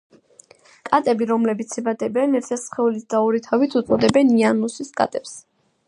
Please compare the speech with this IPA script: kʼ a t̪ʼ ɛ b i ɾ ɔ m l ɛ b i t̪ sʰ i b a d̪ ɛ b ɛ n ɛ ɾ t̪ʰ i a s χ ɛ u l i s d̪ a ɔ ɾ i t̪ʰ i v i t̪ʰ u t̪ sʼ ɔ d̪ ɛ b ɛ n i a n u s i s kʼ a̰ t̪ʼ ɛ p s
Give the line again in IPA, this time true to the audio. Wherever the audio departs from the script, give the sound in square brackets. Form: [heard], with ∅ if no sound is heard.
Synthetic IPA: kʼ a t̪ʼ ɛ b i ɾ ɔ m l ɛ b i t̪ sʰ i b a d̪ ɛ b ɛ n ɛ ɾ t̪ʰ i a s χ ɛ u l i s d̪ a ɔ ɾ i t̪ʰ [a] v i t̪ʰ u t̪ sʼ ɔ d̪ ɛ b ɛ n i a n u s i s kʼ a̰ t̪ʼ ɛ p s